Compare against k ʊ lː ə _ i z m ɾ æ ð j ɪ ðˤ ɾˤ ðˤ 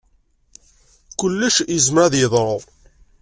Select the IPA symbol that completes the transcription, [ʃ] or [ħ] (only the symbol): ʃ